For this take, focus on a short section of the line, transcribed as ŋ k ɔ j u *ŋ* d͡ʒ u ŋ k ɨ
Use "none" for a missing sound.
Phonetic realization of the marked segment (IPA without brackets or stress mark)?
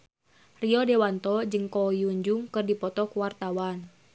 ɲ